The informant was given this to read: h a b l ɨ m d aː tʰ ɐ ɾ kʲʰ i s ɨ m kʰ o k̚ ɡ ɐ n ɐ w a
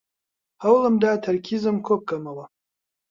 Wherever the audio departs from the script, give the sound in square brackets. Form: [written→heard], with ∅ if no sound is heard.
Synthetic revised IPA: h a [b→w] l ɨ m d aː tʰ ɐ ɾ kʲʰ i [s→z] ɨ m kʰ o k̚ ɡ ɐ [n→m] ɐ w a